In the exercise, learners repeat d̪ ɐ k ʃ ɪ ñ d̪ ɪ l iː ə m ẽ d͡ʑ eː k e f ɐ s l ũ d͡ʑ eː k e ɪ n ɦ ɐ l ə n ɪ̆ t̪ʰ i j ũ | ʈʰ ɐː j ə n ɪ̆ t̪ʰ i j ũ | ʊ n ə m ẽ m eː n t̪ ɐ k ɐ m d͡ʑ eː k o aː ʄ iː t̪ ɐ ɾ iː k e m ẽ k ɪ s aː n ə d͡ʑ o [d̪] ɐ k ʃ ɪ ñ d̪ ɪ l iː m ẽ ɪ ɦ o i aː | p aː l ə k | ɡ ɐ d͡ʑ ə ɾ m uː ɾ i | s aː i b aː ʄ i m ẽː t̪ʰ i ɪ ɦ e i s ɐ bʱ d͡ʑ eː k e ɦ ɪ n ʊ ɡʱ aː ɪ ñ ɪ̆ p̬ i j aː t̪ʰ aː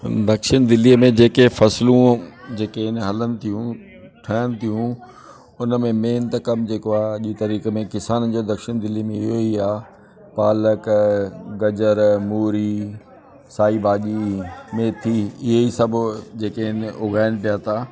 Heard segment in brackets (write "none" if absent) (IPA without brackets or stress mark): d̪